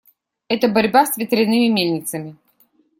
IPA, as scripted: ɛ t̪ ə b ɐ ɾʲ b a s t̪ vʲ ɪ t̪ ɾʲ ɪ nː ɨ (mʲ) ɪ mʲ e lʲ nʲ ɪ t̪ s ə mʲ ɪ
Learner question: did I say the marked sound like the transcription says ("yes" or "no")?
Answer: yes